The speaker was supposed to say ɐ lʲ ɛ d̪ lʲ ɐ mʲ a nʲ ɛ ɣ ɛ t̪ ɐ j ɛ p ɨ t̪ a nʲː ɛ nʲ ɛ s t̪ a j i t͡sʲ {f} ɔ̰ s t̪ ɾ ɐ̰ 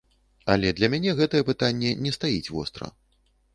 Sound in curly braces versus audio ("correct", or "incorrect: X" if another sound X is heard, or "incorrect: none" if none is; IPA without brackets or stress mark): incorrect: v